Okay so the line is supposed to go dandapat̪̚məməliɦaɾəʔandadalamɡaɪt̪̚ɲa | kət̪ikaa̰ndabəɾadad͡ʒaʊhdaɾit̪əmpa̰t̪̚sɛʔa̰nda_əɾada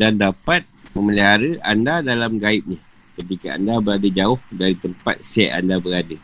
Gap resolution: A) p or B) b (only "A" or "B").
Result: B